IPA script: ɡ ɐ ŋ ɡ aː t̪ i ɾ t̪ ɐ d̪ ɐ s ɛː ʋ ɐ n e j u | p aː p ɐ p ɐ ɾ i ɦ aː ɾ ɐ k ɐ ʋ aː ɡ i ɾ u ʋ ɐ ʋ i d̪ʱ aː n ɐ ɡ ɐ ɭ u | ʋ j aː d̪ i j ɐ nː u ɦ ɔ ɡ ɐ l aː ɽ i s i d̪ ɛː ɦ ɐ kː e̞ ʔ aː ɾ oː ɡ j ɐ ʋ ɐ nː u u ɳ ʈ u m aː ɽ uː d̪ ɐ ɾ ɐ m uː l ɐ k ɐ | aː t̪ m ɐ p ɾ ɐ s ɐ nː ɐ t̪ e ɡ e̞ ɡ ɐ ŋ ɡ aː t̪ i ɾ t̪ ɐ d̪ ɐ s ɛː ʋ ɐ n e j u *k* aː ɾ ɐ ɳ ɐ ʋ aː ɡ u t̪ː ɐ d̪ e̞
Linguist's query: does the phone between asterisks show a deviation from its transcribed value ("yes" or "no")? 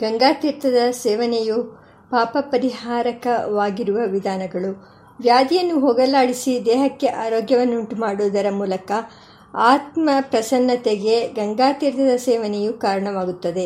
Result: no